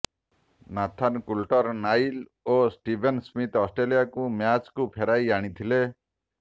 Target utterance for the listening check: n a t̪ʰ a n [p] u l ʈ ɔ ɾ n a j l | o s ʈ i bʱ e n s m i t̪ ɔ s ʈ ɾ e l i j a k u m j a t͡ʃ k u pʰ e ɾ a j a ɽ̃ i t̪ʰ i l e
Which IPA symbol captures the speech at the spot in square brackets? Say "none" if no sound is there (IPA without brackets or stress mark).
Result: k